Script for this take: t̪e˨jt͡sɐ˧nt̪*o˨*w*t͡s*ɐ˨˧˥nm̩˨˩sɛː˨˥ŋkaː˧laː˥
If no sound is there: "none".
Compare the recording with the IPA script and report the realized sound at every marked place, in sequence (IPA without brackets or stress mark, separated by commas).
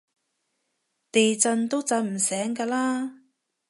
o˥, t͡s